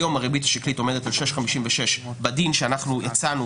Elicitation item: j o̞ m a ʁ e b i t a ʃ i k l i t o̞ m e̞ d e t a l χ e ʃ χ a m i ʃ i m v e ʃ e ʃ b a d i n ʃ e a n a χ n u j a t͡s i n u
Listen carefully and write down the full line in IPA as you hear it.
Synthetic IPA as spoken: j o̞ m a ʁ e b i t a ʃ i k l i t o̞ m e̞ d e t a l ʃ e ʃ χ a m i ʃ i m v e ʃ e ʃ b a d i n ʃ e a n a χ n u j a t͡s a n u